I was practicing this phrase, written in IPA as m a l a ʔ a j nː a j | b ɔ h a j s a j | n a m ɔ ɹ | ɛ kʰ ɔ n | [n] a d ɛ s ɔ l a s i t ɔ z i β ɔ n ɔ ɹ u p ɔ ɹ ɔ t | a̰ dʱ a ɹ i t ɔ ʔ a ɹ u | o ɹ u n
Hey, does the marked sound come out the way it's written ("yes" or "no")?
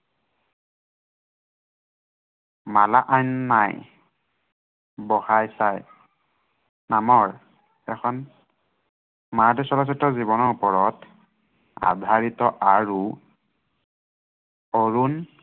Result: no